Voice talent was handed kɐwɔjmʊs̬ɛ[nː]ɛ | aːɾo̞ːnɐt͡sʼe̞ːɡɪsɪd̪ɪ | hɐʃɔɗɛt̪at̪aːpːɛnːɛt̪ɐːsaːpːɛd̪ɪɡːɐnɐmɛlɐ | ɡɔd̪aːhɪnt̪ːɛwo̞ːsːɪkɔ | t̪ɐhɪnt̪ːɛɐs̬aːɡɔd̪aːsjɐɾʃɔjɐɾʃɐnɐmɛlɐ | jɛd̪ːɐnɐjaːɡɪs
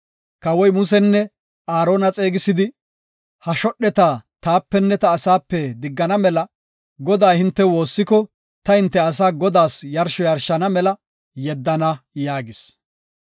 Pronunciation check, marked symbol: correct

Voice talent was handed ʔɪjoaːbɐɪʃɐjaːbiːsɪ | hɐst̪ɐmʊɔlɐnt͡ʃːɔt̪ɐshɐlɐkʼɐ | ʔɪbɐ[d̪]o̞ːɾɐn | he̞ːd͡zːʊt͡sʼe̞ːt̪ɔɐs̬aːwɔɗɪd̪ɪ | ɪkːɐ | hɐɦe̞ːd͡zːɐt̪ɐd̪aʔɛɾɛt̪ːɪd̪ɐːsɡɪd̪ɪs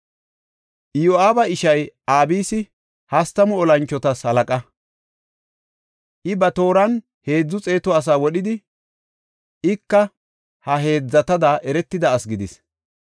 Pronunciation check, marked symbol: incorrect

